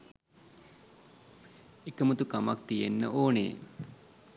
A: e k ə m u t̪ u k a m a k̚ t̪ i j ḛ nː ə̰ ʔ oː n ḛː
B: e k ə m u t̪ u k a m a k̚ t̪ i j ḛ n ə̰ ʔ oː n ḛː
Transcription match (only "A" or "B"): A